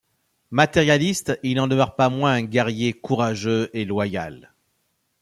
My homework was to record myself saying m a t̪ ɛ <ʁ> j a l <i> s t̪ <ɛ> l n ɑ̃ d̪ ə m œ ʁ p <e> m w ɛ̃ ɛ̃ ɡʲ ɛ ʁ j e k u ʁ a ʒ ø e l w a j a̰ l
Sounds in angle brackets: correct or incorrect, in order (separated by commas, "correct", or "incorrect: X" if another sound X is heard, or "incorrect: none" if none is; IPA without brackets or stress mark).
correct, correct, incorrect: i, incorrect: a